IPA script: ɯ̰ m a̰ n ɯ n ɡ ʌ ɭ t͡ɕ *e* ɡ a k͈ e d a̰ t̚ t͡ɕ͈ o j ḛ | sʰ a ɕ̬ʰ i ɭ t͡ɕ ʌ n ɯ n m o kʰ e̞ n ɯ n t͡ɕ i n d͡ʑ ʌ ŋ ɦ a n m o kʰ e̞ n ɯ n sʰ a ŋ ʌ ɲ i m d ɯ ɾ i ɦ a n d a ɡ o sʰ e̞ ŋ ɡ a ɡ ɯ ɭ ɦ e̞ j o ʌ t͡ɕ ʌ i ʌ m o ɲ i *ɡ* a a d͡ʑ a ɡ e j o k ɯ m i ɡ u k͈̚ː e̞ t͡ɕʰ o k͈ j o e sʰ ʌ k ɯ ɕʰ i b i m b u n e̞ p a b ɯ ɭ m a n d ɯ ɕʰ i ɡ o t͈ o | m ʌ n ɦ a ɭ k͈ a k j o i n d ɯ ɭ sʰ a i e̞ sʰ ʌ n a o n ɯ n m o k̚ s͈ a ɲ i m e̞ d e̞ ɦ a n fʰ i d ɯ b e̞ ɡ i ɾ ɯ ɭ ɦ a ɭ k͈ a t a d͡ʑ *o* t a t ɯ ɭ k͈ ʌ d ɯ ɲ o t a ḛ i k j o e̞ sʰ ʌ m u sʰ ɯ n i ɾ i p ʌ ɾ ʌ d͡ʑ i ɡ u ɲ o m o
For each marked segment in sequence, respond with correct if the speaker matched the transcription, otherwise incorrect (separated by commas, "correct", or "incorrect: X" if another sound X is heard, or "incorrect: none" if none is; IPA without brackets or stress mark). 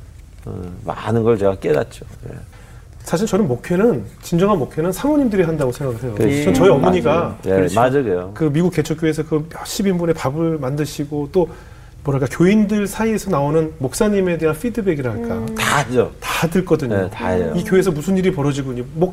correct, correct, correct